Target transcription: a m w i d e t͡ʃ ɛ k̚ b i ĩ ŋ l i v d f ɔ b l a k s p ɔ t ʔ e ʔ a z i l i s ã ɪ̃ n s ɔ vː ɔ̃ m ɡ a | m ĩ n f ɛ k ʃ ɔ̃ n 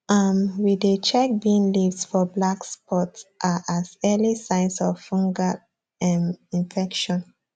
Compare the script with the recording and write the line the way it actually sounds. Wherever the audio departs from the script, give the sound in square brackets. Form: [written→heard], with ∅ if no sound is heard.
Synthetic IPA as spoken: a m w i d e t͡ʃ ɛ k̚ b i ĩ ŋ l i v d f ɔ b l a k s p ɔ t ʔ [e→a] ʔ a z [i→ɛ] l i s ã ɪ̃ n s ɔ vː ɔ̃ [m→ŋ] ɡ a | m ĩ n f ɛ k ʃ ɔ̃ n